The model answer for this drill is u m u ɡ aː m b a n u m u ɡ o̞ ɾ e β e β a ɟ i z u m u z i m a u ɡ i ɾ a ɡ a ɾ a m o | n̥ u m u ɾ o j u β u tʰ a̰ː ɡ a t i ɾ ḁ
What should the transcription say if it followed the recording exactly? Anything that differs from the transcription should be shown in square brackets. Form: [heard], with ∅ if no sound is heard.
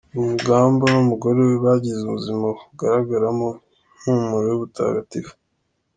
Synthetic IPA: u m u ɡ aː m b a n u m u ɡ o̞ ɾ e [w] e β a ɟ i z u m u z i m a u ɡ [a] ɾ a ɡ a ɾ a m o | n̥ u m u ɾ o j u β u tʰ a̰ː ɡ a t i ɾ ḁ